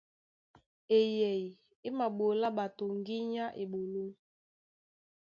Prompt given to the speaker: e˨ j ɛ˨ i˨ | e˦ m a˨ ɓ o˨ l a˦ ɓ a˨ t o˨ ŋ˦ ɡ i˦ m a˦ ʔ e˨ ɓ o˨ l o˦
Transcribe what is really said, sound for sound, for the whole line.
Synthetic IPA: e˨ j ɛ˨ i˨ | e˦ m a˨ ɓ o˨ l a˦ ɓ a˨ t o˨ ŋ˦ ɡ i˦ ɲ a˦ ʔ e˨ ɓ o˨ l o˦